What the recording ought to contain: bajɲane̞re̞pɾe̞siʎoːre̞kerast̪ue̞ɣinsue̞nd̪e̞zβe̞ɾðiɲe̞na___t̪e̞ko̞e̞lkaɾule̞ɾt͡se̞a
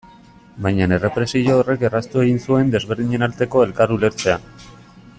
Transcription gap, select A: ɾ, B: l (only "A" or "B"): B